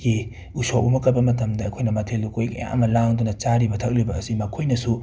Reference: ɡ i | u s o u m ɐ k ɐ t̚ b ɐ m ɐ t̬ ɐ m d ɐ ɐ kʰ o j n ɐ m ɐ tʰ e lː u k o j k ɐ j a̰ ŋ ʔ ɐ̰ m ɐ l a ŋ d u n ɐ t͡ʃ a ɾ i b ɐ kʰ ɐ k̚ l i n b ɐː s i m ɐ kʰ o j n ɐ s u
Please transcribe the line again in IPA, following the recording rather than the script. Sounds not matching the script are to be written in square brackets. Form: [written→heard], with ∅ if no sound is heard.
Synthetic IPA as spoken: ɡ i | u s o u m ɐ k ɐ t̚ b ɐ m ɐ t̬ ɐ m d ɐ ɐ kʰ o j n ɐ m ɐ tʰ e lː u k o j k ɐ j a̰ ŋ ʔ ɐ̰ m ɐ l a ŋ d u n ɐ t͡ʃ a ɾ i b ɐ [kʰ→tʰ] ɐ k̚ l i [n→∅] b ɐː s i m ɐ kʰ o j n ɐ s u